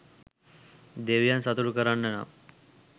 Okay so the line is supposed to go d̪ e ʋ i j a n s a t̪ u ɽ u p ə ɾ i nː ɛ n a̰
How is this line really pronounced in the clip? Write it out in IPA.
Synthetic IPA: d̪ e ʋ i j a n s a t̪ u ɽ u k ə ɾ a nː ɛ n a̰